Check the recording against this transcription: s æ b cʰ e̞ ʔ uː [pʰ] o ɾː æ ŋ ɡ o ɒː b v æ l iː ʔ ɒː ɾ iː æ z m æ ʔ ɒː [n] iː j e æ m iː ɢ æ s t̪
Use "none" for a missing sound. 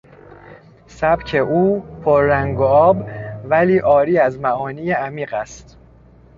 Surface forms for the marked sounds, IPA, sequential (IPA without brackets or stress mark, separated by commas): pʰ, n